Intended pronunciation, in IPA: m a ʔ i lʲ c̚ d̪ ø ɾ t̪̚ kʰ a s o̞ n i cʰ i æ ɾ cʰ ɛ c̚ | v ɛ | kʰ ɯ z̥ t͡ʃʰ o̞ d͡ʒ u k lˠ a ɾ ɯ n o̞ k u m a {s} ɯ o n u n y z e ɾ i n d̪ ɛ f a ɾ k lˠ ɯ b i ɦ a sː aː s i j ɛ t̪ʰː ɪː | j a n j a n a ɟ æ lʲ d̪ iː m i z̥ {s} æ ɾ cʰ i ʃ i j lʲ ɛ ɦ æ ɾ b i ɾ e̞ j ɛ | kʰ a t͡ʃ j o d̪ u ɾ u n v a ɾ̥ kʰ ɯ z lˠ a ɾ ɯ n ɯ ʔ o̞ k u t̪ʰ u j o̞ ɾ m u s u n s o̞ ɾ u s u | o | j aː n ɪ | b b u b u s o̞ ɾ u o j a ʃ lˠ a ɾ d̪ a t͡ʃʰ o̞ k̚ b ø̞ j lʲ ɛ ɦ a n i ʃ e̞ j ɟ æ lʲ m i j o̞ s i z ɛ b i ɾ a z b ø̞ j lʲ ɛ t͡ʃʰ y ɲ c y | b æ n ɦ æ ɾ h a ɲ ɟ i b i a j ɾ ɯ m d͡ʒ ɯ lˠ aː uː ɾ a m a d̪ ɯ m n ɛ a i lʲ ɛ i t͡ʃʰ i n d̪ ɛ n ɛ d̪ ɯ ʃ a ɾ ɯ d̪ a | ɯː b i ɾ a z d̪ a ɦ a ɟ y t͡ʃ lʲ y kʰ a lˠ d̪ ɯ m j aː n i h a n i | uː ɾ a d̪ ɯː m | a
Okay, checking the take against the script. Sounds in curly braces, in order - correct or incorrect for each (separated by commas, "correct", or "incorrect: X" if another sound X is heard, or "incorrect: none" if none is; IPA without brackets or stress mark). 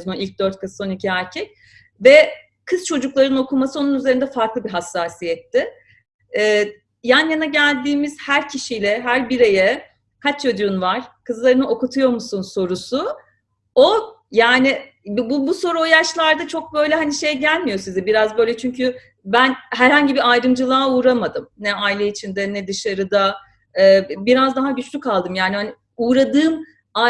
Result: correct, incorrect: h